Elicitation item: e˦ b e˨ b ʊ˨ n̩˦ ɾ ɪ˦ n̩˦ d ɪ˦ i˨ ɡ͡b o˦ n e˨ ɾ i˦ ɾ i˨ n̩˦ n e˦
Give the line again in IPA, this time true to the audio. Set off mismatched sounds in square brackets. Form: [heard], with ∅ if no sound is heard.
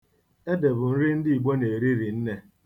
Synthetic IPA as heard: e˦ [d] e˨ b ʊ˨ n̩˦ ɾ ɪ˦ n̩˦ d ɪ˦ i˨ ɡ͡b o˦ n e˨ ɾ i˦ ɾ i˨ n̩˦ n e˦

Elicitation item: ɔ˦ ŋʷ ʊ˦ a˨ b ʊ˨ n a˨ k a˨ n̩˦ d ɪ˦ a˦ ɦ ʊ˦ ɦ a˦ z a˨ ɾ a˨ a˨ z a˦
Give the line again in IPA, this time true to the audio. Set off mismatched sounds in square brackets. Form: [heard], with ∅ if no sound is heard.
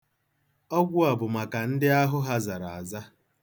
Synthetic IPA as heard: ɔ˦ [ɡʷ] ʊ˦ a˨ b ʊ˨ [m] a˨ k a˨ n̩˦ d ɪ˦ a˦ ɦ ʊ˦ ɦ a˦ z a˨ ɾ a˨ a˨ z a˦

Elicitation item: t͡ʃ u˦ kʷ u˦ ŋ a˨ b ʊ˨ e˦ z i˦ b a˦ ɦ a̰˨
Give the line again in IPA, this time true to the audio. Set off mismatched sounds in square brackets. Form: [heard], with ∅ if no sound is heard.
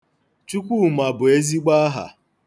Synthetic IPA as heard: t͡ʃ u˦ kʷ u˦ [m] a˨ b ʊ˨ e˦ z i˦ [ɡ͡b] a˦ ɦ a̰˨

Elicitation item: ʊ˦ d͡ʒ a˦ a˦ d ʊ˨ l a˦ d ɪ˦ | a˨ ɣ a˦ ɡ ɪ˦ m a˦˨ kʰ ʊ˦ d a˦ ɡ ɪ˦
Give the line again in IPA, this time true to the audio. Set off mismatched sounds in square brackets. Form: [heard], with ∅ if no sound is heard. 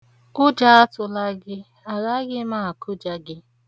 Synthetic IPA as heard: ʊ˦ d͡ʒ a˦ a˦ [t] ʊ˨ l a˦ [ɡ] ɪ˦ | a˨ ɣ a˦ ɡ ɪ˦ m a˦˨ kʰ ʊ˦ [d͡ʒ] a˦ ɡ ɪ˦

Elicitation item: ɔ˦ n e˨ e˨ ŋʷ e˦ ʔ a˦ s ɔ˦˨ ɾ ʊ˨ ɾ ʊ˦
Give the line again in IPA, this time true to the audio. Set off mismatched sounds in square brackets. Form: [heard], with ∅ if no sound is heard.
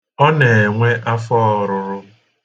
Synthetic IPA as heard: ɔ˦ n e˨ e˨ ŋʷ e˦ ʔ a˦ [f] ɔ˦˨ ɾ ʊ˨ ɾ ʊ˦

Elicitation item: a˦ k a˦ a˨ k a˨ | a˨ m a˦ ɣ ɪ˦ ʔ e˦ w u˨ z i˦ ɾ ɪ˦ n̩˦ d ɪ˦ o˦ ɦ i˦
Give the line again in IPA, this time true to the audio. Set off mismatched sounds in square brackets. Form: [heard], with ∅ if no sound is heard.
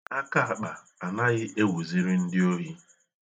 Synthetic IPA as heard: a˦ k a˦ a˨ [k͡p] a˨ | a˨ [n] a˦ ɣ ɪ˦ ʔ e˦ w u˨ z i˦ ɾ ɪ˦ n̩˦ d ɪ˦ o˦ ɦ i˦

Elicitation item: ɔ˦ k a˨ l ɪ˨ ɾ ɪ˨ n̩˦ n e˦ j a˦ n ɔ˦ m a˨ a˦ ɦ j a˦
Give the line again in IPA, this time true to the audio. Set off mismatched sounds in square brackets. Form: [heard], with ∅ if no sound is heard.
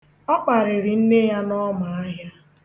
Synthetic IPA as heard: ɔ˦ [k͡p] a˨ [ɾ] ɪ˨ ɾ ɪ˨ n̩˦ n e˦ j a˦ n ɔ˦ m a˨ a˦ ɦ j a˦

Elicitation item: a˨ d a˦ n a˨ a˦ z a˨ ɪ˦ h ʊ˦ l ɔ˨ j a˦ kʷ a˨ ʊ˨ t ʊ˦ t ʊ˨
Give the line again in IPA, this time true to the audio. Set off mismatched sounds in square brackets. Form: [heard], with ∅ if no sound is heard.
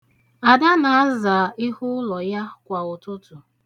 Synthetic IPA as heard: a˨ d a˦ n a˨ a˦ z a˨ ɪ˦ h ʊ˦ l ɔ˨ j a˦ kʷ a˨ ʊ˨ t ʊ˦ t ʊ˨

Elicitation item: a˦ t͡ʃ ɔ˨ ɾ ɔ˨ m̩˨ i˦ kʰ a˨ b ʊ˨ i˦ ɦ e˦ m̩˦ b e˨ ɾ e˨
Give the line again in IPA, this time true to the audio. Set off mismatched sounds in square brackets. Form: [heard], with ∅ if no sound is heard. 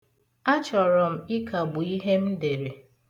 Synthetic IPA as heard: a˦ t͡ʃ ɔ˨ ɾ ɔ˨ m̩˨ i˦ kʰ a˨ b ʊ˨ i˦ ɦ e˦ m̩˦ [d] e˨ ɾ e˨

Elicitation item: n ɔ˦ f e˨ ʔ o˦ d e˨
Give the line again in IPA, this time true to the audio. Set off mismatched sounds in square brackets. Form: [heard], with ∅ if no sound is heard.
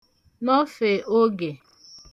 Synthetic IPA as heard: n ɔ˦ f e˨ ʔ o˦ [ɡ] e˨

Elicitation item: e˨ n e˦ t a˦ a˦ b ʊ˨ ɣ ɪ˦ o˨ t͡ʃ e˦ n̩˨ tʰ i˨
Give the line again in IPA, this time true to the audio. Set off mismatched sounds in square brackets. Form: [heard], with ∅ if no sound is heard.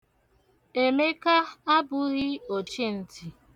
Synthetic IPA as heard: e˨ [m] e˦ [k] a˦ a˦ b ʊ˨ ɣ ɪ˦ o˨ t͡ʃ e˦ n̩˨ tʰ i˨

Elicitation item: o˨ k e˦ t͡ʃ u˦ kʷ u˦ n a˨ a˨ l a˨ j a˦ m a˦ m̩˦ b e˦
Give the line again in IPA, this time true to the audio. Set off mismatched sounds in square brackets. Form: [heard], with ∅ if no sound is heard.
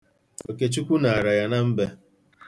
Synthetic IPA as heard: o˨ k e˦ t͡ʃ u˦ kʷ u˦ n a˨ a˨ [ɾ] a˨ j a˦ [n] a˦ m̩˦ b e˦

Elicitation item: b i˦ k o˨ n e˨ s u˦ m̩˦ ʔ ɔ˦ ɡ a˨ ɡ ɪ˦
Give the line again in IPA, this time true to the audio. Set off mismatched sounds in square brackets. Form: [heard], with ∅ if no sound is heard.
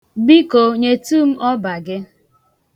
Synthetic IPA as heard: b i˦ k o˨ [ɲ] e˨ [t] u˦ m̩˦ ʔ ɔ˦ [b] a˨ ɡ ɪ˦

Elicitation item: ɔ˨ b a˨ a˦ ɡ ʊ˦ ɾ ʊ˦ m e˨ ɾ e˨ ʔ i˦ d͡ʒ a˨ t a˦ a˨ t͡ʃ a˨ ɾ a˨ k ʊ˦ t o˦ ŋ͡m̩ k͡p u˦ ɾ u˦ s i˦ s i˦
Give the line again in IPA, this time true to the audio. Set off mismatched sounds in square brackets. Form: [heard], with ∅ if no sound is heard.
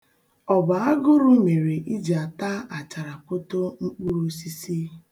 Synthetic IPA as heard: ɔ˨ b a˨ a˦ ɡ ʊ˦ ɾ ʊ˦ m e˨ ɾ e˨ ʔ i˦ d͡ʒ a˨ t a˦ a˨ t͡ʃ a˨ ɾ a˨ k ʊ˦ t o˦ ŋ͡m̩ k͡p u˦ ɾ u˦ s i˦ s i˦

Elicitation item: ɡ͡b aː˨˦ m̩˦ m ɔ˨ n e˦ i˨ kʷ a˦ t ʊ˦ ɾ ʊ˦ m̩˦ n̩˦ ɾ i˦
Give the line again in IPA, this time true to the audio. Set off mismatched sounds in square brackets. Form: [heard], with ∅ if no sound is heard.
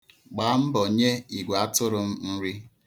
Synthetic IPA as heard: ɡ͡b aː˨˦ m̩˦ [b] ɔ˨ [ɲ] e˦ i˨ [ɡʷ] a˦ t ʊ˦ ɾ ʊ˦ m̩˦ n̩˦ ɾ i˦

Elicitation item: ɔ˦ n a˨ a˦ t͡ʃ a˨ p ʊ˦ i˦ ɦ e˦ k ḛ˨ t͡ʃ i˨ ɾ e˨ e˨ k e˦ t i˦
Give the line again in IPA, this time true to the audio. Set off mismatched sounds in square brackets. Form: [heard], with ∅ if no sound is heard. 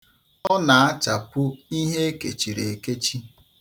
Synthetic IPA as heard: ɔ˦ n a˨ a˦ t͡ʃ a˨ p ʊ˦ i˦ ɦ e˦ k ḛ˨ t͡ʃ i˨ ɾ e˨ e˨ k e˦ [t͡ʃ] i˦

